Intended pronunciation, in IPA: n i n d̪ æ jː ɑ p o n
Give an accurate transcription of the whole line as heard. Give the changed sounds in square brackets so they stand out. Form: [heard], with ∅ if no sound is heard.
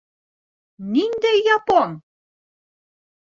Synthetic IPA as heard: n i n d̪ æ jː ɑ p o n